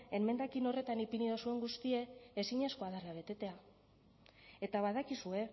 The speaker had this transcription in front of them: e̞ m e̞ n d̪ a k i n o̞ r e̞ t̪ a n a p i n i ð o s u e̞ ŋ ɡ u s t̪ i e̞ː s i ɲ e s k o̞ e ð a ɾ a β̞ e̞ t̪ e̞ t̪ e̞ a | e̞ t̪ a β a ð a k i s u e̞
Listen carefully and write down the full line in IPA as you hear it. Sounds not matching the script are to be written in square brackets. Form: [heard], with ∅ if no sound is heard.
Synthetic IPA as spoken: e̞ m e̞ n d̪ a k i n o̞ r e̞ t̪ a n [i] p i n i ð o s u e̞ ŋ ɡ u s t̪ i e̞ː s i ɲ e s k o̞ [a] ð a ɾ a β̞ e̞ t̪ e̞ t̪ e̞ a | e̞ t̪ a β a ð a k i s u e̞